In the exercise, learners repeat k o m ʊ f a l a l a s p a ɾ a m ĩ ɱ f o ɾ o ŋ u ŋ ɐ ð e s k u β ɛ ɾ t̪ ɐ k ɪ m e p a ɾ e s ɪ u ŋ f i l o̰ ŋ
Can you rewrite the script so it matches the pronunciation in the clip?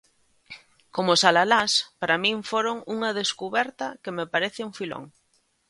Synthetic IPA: k o m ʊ s a l a l a s p a ɾ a m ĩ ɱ f o ɾ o ŋ u ŋ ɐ ð e s k u β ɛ ɾ t̪ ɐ k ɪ m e p a ɾ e θ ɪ u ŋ f i l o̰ ŋ